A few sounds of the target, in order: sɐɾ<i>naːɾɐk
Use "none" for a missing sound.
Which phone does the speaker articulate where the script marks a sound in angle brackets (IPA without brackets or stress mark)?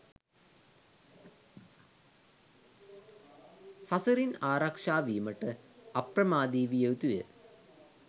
i